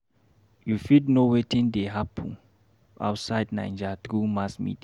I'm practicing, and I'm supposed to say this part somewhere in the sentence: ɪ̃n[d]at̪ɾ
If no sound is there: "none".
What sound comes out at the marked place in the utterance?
d͡ʒ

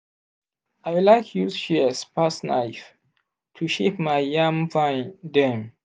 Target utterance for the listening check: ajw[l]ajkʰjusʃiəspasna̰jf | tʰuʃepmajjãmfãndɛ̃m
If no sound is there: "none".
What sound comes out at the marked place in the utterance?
l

